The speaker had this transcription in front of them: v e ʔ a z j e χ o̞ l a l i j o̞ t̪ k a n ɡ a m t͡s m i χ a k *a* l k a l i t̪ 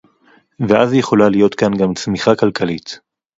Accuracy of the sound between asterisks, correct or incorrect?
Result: correct